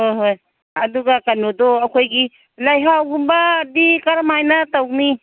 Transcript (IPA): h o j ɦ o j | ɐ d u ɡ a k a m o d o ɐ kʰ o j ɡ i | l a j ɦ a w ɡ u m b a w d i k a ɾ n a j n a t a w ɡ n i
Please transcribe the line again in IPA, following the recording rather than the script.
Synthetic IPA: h o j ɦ o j | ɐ d u ɡ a k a n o d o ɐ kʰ o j ɡ i | l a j ɦ a w ɡ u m b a d i k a ɾ m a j n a t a w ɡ n i